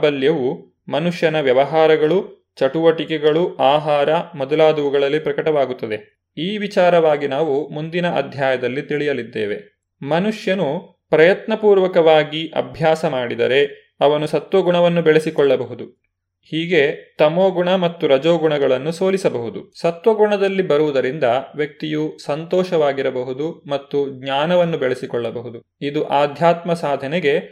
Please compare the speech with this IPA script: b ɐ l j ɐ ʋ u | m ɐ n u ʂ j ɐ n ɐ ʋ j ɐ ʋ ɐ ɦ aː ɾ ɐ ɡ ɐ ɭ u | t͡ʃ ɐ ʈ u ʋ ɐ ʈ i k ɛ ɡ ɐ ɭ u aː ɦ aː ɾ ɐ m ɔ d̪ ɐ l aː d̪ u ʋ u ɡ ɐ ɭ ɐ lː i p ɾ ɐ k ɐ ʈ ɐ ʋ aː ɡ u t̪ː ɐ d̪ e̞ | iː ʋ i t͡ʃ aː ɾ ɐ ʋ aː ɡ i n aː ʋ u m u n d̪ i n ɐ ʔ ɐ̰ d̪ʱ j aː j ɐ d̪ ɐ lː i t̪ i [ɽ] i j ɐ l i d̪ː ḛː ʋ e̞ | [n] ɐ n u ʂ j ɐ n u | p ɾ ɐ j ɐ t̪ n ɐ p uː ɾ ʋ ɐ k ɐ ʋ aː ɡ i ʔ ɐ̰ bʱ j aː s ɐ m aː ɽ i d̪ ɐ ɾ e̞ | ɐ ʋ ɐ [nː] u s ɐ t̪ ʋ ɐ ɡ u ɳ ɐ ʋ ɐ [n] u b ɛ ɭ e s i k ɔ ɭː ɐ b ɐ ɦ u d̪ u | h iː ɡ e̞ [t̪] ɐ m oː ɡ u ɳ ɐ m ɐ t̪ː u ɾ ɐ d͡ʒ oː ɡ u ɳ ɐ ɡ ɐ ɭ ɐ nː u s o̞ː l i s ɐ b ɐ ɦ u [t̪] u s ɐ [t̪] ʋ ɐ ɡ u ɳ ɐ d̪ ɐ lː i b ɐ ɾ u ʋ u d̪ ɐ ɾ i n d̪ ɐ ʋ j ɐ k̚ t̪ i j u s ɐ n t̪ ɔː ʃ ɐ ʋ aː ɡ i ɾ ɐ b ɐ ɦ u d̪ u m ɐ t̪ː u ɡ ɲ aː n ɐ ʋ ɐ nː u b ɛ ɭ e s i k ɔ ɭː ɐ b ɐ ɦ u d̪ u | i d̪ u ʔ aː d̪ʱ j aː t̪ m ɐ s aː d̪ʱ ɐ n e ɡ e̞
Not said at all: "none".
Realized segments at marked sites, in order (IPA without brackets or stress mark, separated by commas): ɭ, m, n, nː, t̪, d̪, t̪